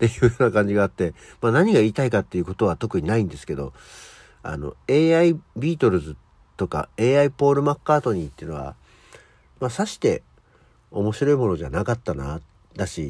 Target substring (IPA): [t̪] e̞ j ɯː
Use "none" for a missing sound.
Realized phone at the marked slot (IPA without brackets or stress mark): t̪